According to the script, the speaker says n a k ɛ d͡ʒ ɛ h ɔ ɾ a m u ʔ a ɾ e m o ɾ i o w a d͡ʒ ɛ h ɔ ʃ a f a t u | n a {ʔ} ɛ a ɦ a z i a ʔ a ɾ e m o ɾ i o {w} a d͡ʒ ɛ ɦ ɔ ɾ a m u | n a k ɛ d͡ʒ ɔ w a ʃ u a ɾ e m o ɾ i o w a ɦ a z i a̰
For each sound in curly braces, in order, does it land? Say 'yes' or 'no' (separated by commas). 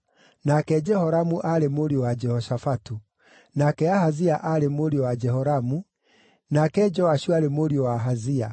no, yes